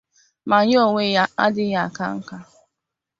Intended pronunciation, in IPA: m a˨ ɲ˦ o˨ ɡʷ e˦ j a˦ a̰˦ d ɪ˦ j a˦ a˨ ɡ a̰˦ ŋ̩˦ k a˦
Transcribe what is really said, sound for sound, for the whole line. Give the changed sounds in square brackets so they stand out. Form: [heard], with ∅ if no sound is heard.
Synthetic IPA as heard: m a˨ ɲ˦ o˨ [ŋʷ] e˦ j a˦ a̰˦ d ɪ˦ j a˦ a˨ [k] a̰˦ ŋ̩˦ k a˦